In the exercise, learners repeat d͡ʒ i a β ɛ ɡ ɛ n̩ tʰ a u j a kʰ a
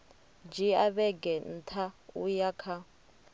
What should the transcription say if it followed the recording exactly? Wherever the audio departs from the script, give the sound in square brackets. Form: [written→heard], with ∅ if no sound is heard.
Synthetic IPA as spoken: d͡ʒ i a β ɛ ɡ ɛ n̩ tʰ a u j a kʰ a